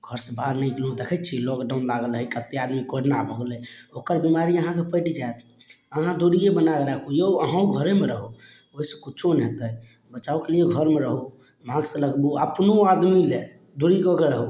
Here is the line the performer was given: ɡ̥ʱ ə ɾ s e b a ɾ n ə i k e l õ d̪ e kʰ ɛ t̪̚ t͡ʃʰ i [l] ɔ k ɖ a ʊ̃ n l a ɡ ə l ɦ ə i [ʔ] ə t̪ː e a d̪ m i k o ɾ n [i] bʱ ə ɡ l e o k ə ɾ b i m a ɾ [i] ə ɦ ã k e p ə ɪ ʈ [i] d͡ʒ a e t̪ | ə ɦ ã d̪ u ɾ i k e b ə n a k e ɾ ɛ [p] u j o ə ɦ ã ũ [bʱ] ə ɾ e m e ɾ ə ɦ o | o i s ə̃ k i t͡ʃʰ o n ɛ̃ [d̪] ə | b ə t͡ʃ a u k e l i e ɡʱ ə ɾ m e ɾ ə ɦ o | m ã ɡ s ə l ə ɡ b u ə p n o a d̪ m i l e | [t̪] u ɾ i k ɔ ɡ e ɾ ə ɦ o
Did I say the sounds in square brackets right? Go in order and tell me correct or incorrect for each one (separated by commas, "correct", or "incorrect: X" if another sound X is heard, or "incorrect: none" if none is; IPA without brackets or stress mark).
correct, incorrect: k, incorrect: a, correct, correct, incorrect: k, incorrect: ɡʱ, incorrect: t̪, incorrect: d̪